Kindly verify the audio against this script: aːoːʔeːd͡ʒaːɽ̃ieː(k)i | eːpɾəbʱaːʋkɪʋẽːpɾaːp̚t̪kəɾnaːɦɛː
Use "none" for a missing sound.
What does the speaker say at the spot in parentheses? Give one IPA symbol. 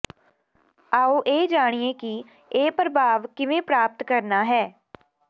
k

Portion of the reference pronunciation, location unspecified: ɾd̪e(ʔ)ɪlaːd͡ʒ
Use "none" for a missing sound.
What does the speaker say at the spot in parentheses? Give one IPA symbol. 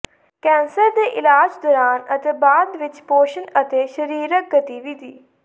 ʔ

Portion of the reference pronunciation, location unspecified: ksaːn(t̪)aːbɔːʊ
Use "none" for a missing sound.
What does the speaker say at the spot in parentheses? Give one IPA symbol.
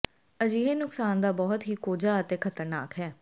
d̪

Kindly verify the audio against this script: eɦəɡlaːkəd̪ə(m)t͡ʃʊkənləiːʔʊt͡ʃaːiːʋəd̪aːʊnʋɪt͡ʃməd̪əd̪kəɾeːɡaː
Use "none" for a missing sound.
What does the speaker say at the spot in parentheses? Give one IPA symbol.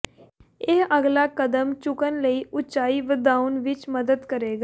m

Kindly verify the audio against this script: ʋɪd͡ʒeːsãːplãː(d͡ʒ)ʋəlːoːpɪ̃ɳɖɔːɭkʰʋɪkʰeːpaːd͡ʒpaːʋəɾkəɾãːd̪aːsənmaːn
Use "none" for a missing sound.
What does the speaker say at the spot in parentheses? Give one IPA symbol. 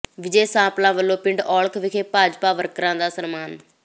none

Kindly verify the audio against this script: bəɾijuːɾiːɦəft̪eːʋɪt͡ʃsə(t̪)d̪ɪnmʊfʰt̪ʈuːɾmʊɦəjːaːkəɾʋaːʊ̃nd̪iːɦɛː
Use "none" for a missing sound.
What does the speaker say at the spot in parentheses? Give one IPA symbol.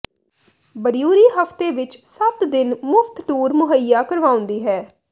t̪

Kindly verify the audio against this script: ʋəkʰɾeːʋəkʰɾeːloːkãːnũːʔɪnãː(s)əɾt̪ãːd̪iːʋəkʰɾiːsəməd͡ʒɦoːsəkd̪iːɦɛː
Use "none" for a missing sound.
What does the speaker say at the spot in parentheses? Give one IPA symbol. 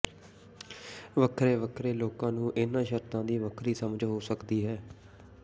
ʃ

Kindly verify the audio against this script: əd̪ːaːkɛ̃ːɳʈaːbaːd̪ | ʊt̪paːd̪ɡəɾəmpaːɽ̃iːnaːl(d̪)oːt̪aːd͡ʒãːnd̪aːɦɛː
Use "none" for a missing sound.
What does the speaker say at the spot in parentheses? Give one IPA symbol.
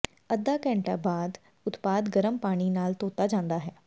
t̪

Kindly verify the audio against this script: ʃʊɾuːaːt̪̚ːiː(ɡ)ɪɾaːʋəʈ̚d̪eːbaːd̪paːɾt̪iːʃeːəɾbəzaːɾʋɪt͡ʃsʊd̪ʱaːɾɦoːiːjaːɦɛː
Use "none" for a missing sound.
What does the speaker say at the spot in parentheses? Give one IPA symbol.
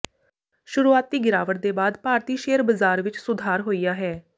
ɡ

